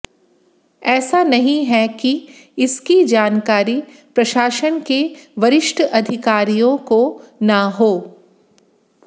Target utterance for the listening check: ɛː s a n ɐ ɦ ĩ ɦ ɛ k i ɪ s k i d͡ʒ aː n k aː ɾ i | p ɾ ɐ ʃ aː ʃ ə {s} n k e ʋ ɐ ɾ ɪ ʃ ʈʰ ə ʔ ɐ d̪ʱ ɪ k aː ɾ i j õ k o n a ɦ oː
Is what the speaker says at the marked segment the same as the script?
no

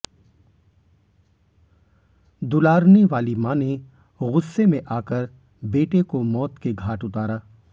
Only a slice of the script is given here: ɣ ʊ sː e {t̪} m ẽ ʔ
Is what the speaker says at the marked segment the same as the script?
no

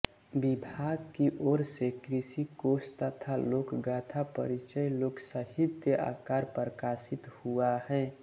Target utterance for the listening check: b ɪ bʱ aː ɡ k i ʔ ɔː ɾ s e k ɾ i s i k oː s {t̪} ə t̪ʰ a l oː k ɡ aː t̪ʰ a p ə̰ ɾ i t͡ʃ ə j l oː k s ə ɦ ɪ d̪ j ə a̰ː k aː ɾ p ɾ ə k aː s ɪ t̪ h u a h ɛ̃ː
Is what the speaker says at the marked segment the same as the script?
yes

